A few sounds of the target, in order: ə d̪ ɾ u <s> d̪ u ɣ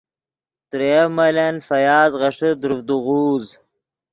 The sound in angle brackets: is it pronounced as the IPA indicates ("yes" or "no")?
no